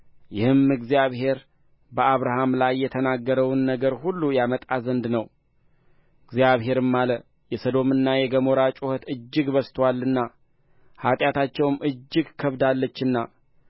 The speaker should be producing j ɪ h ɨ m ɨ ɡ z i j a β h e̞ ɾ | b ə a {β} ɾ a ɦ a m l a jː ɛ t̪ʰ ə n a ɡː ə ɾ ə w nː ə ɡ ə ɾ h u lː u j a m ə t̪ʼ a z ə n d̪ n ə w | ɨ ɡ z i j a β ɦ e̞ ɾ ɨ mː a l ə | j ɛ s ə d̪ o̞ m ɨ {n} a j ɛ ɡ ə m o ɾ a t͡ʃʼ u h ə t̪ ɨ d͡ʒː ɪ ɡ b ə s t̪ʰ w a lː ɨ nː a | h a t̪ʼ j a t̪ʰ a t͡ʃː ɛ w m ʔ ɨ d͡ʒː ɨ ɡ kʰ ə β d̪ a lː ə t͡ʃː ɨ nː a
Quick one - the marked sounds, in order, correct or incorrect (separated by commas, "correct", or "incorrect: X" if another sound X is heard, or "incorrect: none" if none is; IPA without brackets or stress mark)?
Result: correct, incorrect: nː